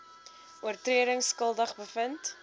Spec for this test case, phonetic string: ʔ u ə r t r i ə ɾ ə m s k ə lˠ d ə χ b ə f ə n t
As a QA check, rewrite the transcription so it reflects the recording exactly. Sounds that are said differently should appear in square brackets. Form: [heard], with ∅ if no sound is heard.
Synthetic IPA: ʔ u ə r t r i ə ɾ ə [ŋ] s k ə lˠ d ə χ b ə f ə n t